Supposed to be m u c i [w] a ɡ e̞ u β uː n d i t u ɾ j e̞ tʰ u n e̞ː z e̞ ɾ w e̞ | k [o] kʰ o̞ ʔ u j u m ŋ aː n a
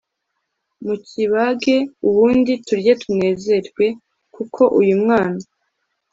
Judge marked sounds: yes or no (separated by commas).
no, no